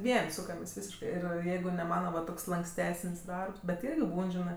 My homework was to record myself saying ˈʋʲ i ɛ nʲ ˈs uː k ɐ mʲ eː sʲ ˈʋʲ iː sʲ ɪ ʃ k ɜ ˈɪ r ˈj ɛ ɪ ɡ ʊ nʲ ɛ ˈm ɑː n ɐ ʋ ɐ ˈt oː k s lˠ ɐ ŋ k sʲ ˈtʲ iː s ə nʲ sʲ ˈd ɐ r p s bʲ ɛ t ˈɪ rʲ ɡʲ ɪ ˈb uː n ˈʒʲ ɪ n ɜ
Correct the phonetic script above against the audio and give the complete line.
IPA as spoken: ˈʋʲ i ɛ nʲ ˈs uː k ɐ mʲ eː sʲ ˈʋʲ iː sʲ ɪ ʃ k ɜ ˈɪ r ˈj ɛ ɪ ɡ ʊ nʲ ɛ ˈm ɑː n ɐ ʋ ɐ ˈt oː k s lˠ ɐ ŋ k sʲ ˈtʲ æː s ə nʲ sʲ ˈd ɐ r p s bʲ ɛ t ˈɪ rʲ ɡʲ ɪ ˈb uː n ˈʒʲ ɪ n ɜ